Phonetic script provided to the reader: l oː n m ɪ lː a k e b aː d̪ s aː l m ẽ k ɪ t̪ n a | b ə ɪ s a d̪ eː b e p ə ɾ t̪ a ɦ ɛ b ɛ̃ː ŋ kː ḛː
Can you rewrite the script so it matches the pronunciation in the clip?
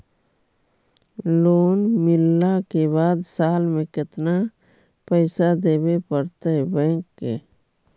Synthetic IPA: l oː n m ɪ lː a k e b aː d̪ s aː l m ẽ k ɪ t̪ n a | p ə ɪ s a d̪ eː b e p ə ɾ t̪ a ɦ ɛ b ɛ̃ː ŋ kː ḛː

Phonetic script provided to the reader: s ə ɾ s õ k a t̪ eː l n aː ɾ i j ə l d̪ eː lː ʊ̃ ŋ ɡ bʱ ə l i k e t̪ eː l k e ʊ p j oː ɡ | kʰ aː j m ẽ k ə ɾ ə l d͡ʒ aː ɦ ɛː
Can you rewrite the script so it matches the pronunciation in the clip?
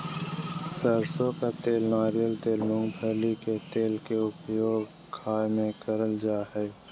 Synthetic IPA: s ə ɾ s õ k a t̪ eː l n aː ɾ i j ə l t̪ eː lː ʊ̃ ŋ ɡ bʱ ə l i k e t̪ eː l k e ʊ p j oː ɡ | kʰ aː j m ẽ k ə ɾ ə l d͡ʒ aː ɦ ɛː

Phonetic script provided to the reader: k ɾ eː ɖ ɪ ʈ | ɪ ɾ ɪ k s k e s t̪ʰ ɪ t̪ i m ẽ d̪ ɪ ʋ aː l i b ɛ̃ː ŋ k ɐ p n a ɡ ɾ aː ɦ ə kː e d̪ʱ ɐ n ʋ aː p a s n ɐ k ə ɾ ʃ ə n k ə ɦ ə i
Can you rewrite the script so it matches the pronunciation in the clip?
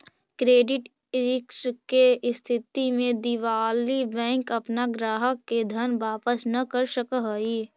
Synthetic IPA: k ɾ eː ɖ ɪ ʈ | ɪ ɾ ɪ k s k e s t̪ʰ ɪ t̪ i m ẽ d̪ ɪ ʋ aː l i b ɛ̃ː ŋ k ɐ p n a ɡ ɾ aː ɦ ə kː e d̪ʱ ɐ n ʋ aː p ə s n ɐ k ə ɾ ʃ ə k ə ɦ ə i

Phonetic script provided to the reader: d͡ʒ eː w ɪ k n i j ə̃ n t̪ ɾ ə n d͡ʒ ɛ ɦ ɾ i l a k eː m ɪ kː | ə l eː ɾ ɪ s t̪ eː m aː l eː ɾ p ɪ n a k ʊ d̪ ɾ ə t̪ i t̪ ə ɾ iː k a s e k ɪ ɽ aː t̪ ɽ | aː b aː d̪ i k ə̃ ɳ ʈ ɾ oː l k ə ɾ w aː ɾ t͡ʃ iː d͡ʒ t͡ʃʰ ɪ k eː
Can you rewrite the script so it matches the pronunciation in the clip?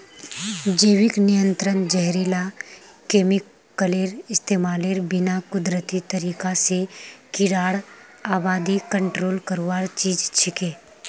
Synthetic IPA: d͡ʒ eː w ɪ k n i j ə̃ n t̪ ɾ ə n d͡ʒ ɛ ɦ ɾ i l a k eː m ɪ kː | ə l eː ɾ ɪ s t̪ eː m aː l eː ɾ b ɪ n a k ʊ d̪ ɾ ə t̪ i t̪ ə ɾ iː k a s e k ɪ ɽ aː ɽ | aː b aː d̪ i k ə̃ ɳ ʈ ɾ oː l k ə ɾ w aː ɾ t͡ʃ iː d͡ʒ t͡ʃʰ ɪ k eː

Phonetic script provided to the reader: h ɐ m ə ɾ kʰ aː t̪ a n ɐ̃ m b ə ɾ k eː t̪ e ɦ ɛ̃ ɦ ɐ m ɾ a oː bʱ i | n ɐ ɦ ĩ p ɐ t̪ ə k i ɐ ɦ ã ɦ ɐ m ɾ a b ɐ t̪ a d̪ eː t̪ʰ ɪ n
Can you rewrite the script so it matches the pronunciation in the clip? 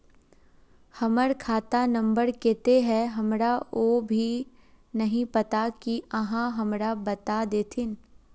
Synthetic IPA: h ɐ m ə ɾ kʰ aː t̪ a n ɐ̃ m b ə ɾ k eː t̪ e ɦ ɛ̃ ɦ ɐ m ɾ a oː bʱ i | n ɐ ɦ ĩ p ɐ t̪ a k i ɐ ɦ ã ɦ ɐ m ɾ a b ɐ t̪ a d̪ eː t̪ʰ ɪ n

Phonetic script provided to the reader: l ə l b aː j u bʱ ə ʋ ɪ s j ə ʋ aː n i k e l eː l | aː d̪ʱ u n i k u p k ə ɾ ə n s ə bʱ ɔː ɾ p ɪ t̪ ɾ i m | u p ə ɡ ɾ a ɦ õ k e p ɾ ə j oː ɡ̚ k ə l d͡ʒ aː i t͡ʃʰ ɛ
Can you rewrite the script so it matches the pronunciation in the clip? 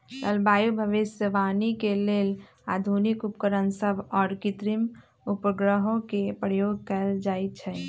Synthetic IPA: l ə l b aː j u bʱ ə ʋ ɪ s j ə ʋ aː n i k e l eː l | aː d̪ʱ u n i k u p k ə ɾ ə n s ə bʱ ɔː ɾ k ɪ t̪ ɾ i m | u p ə ɡ ɾ ə ɦ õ k e p ɾ ə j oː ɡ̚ k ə l d͡ʒ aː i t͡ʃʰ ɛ

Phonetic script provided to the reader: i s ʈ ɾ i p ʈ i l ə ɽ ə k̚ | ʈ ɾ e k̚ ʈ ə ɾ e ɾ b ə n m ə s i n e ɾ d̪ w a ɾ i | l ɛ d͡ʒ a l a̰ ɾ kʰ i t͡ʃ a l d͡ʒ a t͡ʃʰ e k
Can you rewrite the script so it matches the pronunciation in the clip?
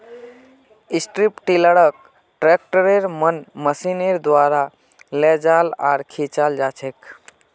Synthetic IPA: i s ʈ ɾ i p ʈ i l ə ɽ ə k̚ | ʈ ɾ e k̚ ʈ ə ɾ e ɾ m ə n m ə s i n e ɾ d̪ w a ɾ a | l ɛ d͡ʒ a l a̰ ɾ kʰ i t͡ʃ a l d͡ʒ a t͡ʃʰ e k

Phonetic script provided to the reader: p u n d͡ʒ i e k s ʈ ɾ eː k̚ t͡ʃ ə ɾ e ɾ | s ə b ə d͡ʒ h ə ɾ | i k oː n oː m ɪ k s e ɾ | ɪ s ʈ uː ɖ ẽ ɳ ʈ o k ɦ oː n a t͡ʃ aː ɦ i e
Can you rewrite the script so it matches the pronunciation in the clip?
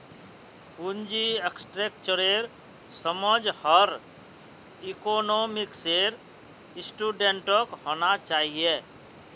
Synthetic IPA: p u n d͡ʒ i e k s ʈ ɾ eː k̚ t͡ʃ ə ɾ e ɾ | s ə m ə d͡ʒ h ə ɾ | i k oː n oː m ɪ k s e ɾ | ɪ s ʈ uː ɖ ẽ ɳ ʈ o k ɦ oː n a t͡ʃ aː ɦ i e

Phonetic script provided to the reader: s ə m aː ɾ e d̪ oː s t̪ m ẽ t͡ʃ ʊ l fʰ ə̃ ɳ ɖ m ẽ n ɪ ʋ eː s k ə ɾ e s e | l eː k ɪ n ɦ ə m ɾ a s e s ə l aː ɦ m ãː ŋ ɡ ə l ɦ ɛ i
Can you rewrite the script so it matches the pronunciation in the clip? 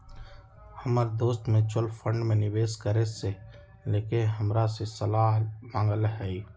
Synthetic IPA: h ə m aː ɾ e d̪ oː s t̪ m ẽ t͡ʃ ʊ l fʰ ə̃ ɳ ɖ m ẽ n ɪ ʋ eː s k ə ɾ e s e | l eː k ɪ n ɦ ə m ɾ a s e s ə l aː ɦ m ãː ŋ ɡ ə l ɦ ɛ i

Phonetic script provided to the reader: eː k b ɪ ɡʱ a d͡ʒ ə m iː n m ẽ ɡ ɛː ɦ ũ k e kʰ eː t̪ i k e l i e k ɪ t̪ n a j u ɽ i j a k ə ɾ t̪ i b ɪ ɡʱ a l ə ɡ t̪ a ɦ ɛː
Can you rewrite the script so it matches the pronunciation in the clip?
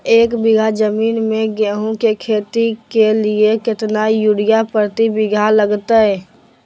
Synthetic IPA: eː k b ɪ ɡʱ a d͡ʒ ə m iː n m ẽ ɡ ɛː ɦ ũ k e kʰ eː t̪ i k e l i e k ɪ t̪ n a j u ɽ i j a p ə ɾ t̪ i b ɪ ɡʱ a l ə ɡ t̪ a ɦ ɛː

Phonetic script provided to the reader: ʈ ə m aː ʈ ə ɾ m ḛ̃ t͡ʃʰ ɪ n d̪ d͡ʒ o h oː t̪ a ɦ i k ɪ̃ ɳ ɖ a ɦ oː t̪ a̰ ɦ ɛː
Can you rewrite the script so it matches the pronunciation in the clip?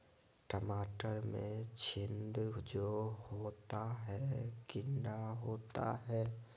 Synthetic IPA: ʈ ə m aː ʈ ə ɾ m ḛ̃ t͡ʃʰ ɪ n d̪ d͡ʒ o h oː t̪ a ɦ ɛ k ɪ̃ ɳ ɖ a ɦ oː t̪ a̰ ɦ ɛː

